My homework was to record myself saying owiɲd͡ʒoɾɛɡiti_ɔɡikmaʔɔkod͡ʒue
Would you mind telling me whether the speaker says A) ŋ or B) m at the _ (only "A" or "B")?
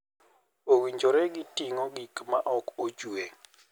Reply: A